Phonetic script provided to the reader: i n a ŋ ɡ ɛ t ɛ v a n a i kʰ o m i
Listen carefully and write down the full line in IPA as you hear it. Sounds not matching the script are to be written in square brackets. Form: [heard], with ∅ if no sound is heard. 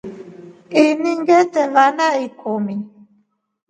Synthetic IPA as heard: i n [i] ŋ ɡ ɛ t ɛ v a n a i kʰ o m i